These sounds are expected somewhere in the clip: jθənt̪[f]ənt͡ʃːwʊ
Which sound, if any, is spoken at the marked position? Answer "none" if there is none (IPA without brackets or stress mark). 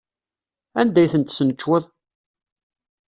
s